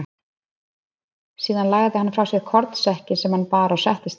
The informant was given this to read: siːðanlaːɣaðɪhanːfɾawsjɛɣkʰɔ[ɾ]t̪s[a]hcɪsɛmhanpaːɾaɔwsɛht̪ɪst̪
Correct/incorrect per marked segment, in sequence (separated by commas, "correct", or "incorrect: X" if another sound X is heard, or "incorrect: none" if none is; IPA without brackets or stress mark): correct, incorrect: ɛ